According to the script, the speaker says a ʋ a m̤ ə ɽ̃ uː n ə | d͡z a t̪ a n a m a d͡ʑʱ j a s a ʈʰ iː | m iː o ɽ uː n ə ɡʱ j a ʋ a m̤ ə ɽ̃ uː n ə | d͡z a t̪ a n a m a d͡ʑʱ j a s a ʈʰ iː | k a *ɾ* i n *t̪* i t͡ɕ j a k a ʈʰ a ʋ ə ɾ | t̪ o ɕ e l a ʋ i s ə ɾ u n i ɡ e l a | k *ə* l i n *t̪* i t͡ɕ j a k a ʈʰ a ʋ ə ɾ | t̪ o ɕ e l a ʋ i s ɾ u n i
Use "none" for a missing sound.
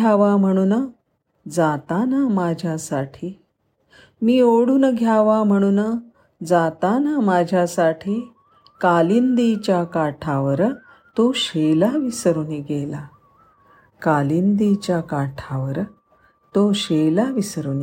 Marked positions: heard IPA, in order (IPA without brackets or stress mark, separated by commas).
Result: l, d̪, a, d̪